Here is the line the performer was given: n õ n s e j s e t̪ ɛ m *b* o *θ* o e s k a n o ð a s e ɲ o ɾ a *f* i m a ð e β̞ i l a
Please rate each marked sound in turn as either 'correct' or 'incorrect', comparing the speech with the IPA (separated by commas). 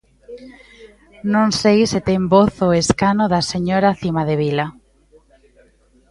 correct, correct, incorrect